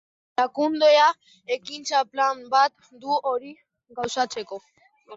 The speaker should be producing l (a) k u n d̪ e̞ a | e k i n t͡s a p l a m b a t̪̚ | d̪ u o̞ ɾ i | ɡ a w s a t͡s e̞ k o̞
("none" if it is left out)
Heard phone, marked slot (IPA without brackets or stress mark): a